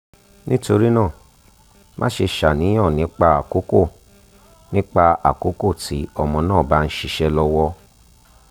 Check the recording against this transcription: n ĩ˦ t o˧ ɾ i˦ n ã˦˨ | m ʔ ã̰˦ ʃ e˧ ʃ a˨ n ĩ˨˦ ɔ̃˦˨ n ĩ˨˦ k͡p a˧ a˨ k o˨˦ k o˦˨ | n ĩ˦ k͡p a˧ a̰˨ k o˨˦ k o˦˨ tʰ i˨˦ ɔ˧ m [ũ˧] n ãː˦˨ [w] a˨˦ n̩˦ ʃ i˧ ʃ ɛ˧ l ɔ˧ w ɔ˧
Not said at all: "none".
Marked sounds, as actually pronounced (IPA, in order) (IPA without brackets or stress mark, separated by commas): ɔ̃˧, b